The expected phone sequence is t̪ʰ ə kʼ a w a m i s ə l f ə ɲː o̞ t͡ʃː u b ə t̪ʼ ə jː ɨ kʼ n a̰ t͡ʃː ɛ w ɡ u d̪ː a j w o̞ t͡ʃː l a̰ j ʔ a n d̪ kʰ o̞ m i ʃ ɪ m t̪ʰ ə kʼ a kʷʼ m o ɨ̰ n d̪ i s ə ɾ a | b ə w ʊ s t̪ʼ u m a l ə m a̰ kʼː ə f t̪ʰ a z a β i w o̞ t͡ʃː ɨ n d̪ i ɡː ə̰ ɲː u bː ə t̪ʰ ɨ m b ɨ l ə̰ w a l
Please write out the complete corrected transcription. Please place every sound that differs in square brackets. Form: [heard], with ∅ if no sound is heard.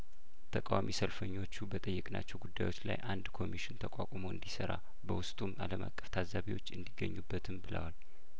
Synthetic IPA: t̪ʰ ə kʼ a w a m i s ə l f ə ɲː o̞ t͡ʃː u b ə t̪ʼ ə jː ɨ kʼ n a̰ t͡ʃː ɛ w ɡ u d̪ː a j w o̞ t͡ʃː l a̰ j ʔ a n d̪ kʰ o̞ m i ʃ ɪ [n] t̪ʰ ə kʼ a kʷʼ m o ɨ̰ n d̪ i s ə ɾ a | b ə w ʊ s t̪ʼ u m a l ə m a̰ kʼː ə f t̪ʰ a z a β i w o̞ t͡ʃː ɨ n d̪ i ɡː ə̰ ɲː u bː ə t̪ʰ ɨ m b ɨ l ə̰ w a l